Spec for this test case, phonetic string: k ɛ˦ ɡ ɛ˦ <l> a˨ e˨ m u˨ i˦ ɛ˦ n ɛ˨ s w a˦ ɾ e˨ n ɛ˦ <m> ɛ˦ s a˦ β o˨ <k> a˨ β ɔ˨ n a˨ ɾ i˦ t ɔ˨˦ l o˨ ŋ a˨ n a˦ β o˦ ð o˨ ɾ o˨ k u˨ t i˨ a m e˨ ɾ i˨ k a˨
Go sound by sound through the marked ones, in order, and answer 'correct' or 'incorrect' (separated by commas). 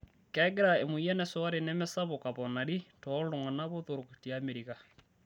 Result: incorrect, correct, correct